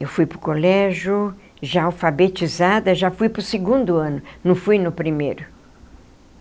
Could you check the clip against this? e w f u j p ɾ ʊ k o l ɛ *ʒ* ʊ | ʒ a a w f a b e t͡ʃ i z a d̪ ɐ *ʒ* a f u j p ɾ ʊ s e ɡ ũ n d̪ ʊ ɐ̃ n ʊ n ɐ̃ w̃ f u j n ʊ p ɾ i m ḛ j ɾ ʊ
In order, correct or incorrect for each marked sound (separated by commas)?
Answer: correct, correct